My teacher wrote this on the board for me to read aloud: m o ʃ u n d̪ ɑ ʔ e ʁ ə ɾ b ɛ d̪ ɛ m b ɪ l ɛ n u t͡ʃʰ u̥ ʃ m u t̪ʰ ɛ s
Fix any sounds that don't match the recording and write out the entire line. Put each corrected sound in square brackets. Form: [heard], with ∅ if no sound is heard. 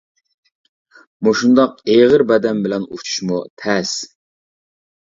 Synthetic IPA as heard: m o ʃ u n d̪ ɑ [q] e ʁ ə ɾ b ɛ d̪ ɛ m b ɪ l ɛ n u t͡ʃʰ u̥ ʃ m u t̪ʰ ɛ s